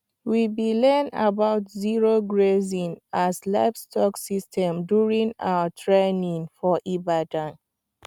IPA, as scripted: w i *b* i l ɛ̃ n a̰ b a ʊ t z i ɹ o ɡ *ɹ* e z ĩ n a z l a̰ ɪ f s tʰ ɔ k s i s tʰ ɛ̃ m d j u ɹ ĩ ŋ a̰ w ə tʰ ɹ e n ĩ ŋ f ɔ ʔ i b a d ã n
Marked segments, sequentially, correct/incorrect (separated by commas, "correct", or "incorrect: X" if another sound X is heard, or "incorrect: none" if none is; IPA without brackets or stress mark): correct, correct